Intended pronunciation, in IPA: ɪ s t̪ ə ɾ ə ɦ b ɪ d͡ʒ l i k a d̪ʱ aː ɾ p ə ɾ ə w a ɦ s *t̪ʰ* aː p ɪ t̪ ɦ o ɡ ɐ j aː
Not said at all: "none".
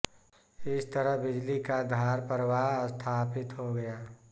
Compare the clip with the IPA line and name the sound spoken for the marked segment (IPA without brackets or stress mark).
t̪ʰ